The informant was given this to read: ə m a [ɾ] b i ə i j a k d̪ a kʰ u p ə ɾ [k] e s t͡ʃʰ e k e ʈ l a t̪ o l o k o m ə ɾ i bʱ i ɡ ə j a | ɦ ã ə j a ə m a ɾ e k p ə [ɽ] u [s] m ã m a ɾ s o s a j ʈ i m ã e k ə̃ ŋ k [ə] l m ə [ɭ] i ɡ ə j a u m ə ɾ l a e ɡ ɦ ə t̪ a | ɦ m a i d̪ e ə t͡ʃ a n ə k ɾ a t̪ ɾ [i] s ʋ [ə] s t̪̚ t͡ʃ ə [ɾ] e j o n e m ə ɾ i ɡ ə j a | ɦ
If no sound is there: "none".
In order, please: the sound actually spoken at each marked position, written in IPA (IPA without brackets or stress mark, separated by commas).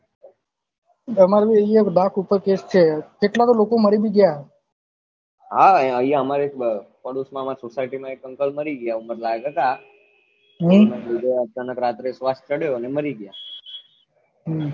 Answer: ɾ, k, ɽ, s, ə, ɾ, e, a, ɽ